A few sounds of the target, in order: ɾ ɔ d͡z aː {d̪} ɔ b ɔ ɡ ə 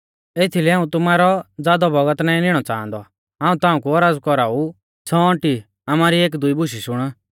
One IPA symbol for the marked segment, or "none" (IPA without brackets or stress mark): d̪